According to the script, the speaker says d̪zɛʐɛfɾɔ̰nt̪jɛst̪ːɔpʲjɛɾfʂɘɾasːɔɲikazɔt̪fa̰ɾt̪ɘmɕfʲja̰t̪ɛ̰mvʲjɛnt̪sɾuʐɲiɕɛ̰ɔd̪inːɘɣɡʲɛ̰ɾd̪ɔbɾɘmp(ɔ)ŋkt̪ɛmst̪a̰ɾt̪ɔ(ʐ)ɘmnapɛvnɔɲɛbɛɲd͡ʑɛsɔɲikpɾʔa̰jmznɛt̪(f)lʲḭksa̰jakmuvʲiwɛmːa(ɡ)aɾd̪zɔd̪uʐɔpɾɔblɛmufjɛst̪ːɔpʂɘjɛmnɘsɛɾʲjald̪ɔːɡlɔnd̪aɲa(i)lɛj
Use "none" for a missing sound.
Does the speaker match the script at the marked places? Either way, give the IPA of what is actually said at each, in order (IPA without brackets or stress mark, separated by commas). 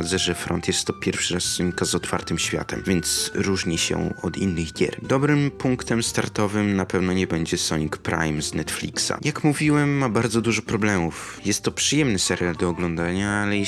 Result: u, v, f, b, a